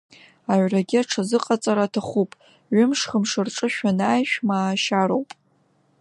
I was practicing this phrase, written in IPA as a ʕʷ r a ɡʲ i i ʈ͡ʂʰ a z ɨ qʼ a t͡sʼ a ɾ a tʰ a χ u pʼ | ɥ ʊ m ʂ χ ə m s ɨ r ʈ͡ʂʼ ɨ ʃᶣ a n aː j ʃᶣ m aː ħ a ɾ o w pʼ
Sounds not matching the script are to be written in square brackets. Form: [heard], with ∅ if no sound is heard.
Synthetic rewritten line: a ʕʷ r a ɡʲ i [a] ʈ͡ʂʰ a z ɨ qʼ a t͡sʼ a ɾ a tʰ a χ u pʼ | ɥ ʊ m ʂ χ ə m [ʂ] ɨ r ʈ͡ʂʼ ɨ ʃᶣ a n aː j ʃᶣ m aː [ʃ] a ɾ o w pʼ